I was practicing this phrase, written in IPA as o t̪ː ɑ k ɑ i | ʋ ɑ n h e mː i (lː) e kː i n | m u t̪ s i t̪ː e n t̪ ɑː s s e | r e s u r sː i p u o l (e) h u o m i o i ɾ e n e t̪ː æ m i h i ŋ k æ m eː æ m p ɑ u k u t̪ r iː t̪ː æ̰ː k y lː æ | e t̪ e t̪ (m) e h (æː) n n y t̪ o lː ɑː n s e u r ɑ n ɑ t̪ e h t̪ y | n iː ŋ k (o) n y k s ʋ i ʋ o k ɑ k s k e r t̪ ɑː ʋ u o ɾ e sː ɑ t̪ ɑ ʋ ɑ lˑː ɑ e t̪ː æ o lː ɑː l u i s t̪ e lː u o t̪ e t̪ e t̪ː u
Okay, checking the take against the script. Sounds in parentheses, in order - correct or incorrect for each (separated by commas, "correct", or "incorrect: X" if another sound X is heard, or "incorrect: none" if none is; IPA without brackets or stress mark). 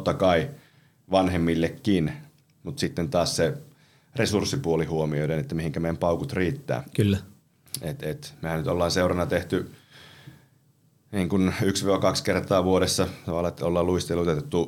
correct, incorrect: i, correct, incorrect: æ, incorrect: u